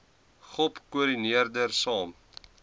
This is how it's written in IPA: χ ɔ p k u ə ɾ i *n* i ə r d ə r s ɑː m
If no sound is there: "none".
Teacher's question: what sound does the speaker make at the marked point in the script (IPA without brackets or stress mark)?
n